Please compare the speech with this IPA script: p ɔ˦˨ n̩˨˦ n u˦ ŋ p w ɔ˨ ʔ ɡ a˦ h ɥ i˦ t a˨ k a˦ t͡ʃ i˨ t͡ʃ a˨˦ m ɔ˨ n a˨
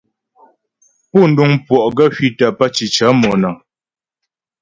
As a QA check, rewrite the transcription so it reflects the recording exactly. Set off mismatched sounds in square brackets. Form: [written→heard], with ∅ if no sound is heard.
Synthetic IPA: p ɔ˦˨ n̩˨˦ [n→d] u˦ ŋ p w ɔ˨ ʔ ɡ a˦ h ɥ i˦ t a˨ [k→p] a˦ t͡ʃ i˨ t͡ʃ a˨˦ m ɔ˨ n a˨

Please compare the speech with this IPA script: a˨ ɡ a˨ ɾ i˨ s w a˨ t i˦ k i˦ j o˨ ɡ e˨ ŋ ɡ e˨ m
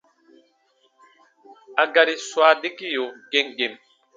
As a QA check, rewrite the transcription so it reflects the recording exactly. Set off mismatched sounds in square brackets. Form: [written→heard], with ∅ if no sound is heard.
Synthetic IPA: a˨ ɡ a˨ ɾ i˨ s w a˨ [t→d] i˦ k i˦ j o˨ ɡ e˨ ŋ ɡ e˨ m

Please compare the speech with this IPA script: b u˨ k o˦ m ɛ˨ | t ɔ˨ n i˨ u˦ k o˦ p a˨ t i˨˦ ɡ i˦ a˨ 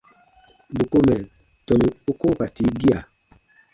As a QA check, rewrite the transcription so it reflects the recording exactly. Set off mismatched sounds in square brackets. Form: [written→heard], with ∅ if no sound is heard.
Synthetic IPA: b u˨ k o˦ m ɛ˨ | t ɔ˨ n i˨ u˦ k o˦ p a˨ t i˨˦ ɡ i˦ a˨

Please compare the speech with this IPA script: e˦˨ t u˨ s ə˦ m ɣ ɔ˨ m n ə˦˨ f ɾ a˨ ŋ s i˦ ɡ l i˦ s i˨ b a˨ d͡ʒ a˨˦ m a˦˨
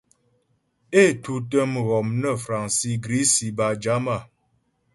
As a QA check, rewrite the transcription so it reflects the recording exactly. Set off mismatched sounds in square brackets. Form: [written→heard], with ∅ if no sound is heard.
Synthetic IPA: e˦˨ t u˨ [s→t] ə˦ m ɣ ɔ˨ m n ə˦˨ f ɾ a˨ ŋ s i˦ ɡ [l→ɾ] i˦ s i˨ b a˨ d͡ʒ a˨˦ m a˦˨

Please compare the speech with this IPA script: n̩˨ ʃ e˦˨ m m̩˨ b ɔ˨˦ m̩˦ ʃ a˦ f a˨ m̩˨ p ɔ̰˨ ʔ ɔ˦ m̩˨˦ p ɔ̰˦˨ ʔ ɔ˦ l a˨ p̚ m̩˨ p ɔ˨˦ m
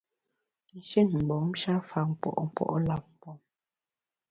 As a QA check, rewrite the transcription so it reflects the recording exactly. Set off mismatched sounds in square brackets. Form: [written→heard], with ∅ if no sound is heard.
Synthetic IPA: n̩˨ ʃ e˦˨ [m→n] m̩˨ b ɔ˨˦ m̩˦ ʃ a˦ f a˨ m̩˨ p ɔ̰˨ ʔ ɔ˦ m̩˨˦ p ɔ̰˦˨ ʔ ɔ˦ l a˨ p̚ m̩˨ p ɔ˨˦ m

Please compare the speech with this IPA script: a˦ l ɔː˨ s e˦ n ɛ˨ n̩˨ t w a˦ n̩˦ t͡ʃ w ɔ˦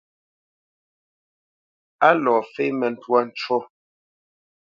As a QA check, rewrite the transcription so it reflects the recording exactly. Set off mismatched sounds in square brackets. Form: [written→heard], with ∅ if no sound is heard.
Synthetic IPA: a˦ l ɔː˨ [s→f] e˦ [n→m] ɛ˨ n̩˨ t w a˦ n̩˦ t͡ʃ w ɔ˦

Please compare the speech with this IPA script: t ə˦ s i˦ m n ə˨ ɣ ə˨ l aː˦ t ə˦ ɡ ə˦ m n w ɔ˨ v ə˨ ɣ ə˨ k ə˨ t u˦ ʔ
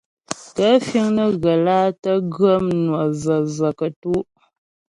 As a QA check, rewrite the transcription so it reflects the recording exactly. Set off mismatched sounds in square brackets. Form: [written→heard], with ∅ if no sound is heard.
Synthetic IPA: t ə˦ [s→f] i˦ [m→ŋ] n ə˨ ɣ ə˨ l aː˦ t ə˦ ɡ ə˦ m n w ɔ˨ [v→z] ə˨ [ɣ→z] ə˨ k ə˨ t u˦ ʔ

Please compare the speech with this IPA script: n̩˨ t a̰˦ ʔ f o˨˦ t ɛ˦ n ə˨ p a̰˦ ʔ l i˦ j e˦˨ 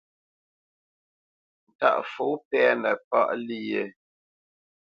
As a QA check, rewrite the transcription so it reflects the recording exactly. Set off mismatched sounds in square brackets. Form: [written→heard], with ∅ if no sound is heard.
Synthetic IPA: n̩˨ t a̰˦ ʔ f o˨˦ [t→p] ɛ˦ n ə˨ p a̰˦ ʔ l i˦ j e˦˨

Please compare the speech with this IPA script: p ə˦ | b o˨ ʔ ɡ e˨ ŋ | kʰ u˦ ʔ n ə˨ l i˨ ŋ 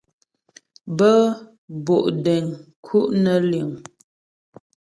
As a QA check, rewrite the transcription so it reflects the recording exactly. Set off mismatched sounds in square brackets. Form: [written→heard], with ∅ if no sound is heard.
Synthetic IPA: [p→b] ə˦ | b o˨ ʔ [ɡ→d] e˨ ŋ | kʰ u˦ ʔ n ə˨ l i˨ ŋ

